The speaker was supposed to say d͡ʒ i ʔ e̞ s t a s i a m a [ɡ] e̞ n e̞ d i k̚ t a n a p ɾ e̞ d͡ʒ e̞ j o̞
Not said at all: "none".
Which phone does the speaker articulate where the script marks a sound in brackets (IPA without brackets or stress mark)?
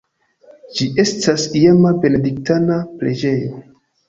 b